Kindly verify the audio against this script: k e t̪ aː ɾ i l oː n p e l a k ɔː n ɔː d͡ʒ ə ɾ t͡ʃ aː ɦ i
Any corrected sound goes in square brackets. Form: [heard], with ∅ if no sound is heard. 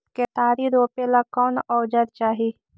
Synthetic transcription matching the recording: k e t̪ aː ɾ i [ɾ] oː [∅] p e l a k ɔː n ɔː d͡ʒ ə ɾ t͡ʃ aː ɦ i

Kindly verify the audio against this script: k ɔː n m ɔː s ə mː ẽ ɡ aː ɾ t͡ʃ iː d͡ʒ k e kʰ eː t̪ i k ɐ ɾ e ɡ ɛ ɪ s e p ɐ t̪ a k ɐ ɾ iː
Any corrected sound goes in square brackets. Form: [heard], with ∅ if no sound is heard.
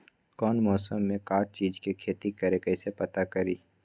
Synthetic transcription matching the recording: k ɔː n m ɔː s ə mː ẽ [k] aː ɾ t͡ʃ iː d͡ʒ k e kʰ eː t̪ i k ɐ ɾ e [k] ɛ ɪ s e p ɐ t̪ a k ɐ ɾ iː

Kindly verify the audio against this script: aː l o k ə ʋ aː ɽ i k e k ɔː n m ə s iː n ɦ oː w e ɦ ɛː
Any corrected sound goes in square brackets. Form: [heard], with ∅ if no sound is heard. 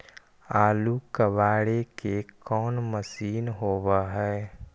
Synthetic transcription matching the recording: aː l [u] k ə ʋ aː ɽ [e] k e k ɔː n m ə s iː n ɦ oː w [a] ɦ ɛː

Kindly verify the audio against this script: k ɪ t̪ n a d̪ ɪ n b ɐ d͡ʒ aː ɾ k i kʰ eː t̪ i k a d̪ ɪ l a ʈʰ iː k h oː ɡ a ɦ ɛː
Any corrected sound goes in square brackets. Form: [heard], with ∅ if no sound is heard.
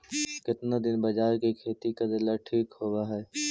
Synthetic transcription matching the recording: k ɪ t̪ n a d̪ ɪ n b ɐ d͡ʒ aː ɾ k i kʰ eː t̪ i k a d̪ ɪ l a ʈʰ iː k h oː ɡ a ɦ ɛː

